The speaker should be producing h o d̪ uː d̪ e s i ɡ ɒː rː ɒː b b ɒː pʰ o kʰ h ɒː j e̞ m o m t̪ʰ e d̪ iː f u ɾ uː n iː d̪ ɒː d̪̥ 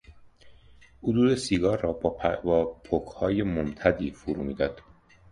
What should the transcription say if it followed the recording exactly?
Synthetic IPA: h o d̪ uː d̪ e s i ɡ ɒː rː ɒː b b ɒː pʰ o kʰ h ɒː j e̞ m o m t̪ʰ æ d̪ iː f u ɾ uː m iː d̪ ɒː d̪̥